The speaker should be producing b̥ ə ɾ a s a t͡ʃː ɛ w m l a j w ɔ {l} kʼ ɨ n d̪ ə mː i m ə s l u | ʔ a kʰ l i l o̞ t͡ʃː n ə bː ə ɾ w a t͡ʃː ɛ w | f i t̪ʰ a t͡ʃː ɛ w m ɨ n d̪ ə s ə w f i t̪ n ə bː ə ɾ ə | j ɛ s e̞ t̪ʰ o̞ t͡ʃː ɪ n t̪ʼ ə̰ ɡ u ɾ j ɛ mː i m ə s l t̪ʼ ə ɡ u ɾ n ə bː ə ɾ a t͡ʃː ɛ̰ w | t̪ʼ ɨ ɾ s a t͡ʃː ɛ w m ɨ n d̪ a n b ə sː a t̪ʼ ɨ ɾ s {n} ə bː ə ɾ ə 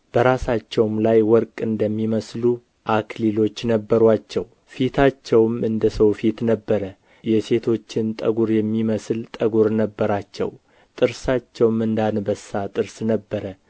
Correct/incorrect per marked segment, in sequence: incorrect, correct

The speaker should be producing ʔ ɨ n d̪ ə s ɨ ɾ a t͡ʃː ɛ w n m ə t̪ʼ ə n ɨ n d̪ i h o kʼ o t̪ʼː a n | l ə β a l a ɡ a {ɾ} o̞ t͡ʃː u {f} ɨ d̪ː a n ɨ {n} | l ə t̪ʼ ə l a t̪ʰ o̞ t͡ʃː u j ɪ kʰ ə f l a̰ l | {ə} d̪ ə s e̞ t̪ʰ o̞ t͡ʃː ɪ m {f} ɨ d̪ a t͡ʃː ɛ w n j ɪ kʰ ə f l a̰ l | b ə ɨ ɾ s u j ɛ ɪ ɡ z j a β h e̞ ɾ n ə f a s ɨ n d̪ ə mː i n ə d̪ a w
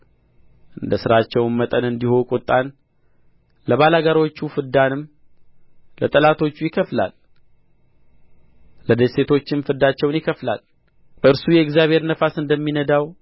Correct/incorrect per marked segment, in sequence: correct, correct, incorrect, correct, correct

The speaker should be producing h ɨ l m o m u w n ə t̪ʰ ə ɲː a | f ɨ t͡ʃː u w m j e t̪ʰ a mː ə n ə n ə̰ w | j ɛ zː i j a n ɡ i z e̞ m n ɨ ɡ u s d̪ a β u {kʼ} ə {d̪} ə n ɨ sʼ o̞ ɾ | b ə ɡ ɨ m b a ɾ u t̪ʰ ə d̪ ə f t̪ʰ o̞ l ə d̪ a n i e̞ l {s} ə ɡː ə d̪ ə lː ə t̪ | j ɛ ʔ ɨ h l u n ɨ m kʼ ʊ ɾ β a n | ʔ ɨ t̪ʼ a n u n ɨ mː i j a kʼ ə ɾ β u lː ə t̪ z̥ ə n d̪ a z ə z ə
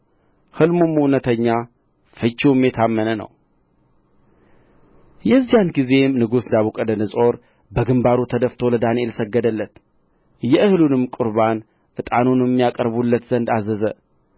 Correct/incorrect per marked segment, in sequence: correct, correct, correct

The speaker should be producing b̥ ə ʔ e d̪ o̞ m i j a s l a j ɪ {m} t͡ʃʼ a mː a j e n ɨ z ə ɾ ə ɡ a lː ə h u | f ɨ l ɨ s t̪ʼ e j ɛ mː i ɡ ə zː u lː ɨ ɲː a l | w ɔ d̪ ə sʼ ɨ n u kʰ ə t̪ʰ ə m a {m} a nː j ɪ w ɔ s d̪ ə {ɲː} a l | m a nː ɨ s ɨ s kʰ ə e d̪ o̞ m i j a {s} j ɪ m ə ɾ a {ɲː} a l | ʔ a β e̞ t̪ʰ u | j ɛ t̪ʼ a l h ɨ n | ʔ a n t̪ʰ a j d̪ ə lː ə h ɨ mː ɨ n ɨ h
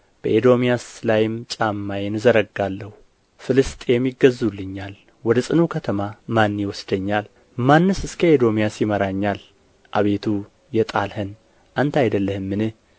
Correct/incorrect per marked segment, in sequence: correct, correct, correct, correct, correct

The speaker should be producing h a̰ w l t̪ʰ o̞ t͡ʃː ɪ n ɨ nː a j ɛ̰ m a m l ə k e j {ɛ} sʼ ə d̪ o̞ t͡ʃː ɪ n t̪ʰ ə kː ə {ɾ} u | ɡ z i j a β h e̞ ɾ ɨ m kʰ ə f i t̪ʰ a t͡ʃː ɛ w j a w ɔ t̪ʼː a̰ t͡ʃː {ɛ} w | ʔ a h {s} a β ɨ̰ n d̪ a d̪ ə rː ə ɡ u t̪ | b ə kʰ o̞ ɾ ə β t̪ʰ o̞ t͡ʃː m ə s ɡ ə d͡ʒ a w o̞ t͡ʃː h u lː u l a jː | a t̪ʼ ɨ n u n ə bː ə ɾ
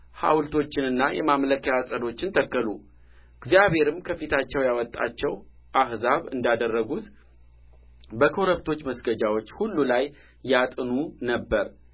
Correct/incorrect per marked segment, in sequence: incorrect, incorrect, correct, incorrect

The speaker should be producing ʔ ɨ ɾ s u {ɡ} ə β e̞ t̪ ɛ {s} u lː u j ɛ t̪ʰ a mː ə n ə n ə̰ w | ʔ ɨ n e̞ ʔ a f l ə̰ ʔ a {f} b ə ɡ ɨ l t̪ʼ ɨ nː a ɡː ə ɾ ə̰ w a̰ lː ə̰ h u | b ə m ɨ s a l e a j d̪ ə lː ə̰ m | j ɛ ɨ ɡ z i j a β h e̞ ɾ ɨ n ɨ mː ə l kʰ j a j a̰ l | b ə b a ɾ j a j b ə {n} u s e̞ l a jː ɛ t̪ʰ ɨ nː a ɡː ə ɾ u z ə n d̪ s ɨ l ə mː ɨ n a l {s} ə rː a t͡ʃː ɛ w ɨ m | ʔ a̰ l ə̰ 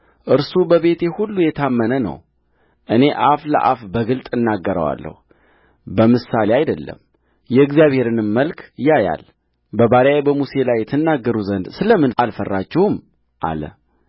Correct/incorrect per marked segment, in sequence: incorrect, incorrect, correct, incorrect, incorrect

